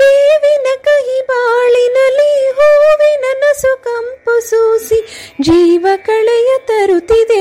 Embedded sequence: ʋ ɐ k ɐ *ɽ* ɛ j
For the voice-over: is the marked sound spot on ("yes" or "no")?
no